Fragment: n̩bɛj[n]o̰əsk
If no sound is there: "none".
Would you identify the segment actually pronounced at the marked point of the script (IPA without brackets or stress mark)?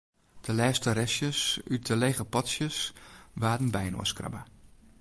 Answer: n